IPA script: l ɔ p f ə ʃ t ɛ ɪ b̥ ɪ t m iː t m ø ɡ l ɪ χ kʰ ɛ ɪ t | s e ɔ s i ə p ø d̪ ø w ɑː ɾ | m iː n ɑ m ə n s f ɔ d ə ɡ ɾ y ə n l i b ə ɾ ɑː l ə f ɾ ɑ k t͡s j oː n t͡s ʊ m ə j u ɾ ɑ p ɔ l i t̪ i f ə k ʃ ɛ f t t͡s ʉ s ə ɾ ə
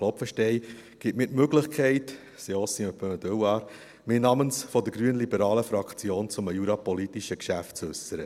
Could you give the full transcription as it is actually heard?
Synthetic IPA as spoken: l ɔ p f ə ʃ t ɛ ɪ ɡ̥ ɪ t m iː t m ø ɡ l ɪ χ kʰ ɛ ɪ t | s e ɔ s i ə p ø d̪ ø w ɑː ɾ | m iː n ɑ m ə n s f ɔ d ə ɡ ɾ y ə n l i b ə ɾ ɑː l ə f ɾ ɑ k t͡s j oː n t͡s ʊ m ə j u ɾ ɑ p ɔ l i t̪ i ʃ ə k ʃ æ f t t͡s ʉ s ə ɾ ə